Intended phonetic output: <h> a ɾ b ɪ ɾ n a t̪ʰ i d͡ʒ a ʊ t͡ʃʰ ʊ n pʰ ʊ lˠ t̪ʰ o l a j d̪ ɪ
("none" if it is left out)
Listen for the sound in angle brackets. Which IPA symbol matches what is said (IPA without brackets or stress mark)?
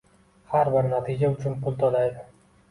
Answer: h